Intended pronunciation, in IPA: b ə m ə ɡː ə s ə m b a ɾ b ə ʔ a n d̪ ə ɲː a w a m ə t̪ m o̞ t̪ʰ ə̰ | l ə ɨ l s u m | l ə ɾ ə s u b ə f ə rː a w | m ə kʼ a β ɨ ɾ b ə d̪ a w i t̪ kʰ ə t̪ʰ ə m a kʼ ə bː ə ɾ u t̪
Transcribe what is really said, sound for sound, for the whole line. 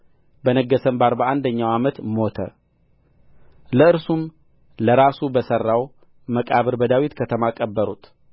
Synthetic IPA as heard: b ə n ə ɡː ə s ə m b a ɾ b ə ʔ a n d̪ ə ɲː a w a m ə t̪ m o̞ t̪ʰ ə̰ | l ə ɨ ɾ s u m | l ə ɾ a s u b ə s ə rː a w | m ə kʼ a β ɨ ɾ b ə d̪ a w i t̪ kʰ ə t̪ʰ ə m a kʼ ə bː ə ɾ u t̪